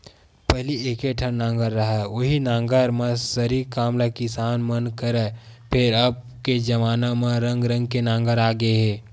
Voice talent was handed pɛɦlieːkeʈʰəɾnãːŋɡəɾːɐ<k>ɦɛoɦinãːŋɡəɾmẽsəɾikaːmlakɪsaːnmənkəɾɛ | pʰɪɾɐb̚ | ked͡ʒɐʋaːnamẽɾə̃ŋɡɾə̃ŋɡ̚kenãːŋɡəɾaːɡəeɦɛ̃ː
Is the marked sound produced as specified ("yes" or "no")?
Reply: no